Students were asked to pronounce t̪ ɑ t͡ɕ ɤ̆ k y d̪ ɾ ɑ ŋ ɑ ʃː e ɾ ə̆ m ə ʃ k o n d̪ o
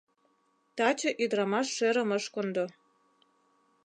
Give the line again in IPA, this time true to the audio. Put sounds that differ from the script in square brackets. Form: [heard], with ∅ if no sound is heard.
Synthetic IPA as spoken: t̪ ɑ t͡ɕ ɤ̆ [ʔ] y d̪ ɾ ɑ [m] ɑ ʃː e ɾ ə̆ m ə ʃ k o n d̪ o